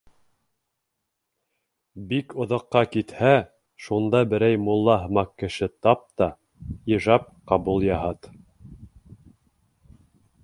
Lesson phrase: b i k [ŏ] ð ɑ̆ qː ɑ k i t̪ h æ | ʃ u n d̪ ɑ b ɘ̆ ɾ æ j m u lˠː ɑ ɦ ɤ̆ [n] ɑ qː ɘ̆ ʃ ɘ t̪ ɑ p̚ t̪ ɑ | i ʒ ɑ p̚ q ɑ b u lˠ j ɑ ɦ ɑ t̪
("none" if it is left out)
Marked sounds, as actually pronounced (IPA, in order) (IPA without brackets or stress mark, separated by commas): ŏ, m